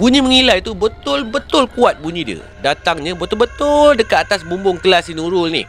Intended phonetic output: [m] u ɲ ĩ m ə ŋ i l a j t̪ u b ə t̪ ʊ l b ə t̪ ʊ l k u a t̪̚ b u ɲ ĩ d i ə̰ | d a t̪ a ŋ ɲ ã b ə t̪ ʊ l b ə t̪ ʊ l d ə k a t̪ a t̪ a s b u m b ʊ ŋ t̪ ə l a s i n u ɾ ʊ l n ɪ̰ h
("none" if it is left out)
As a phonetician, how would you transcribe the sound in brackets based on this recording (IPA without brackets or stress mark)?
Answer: b